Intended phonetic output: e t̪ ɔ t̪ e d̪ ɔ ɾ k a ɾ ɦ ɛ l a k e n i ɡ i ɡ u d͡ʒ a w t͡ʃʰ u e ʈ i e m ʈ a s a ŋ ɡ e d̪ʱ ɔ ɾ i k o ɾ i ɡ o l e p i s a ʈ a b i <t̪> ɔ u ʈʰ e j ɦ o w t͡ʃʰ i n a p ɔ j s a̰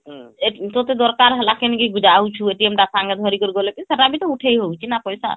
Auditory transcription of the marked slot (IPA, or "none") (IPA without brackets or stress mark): t̪